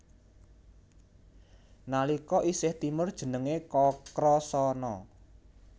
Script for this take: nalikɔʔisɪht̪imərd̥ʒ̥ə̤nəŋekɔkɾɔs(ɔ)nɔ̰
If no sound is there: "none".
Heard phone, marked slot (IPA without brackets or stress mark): ɔ